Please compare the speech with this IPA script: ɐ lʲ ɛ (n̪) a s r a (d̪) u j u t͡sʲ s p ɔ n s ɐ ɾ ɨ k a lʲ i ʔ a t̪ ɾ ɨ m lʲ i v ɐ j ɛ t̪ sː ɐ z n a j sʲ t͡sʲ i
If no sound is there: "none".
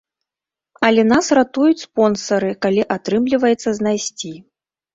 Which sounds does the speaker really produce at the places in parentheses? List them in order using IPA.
n̪, t̪

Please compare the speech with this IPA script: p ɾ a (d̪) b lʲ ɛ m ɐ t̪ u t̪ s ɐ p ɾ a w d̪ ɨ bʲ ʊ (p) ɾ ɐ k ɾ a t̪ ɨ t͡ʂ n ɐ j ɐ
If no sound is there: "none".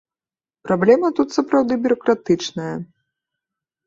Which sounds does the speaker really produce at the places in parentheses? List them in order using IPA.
none, none

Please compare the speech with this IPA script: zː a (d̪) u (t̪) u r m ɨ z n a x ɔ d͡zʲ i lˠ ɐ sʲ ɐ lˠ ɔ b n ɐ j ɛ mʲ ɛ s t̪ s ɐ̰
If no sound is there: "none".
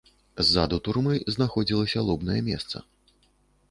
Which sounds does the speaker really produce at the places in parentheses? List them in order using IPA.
d̪, t̪

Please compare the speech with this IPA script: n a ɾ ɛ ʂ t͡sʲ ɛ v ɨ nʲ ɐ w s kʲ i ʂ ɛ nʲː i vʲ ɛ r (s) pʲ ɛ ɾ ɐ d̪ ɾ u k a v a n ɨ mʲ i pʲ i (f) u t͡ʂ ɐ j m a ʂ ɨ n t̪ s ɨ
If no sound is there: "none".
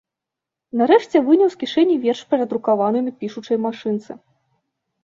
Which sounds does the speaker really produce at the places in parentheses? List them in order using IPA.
ʂ, ʂ

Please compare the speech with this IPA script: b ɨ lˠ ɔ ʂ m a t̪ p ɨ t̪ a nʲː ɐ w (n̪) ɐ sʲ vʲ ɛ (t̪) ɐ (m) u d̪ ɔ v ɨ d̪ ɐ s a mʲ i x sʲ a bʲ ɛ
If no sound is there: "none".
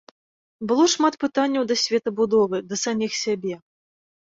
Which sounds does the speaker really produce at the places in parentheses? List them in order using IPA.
d̪, t̪, b

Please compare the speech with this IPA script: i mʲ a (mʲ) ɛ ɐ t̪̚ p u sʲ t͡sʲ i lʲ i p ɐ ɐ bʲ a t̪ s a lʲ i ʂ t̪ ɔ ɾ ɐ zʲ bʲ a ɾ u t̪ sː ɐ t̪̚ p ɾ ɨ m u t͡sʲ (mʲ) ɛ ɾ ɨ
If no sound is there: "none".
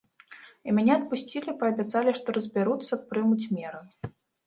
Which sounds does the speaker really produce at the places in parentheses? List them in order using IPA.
nʲ, mʲ

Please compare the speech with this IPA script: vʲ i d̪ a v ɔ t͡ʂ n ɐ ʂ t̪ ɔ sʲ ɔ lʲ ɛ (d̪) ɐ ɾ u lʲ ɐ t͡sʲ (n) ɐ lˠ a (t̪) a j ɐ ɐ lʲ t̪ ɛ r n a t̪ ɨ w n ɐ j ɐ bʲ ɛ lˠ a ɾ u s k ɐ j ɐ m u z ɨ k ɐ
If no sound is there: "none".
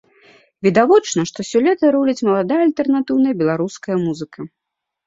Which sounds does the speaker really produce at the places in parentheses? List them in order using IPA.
t̪, m, d̪

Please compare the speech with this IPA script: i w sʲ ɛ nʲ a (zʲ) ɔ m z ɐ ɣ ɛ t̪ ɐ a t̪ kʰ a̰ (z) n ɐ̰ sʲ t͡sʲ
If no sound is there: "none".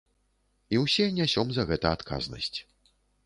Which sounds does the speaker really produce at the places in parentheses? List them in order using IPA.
sʲ, z

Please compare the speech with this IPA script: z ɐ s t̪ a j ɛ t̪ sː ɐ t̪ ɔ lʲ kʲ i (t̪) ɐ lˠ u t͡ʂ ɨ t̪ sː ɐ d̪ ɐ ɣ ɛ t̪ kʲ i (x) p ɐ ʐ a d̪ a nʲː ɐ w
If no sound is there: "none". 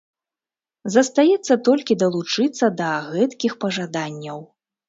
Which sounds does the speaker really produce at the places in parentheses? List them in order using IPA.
d̪, x

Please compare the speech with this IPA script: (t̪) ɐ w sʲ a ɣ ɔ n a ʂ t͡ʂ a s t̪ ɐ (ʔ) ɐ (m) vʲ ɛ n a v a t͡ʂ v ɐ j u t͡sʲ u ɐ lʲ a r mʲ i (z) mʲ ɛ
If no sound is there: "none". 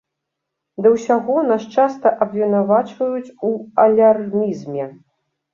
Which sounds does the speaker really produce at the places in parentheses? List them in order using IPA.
d̪, ʔ, b, z

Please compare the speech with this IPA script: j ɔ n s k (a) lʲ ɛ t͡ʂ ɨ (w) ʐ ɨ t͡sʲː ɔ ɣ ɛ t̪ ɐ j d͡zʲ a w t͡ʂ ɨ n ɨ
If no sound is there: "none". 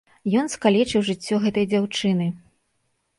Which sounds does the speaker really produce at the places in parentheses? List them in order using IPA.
a, w

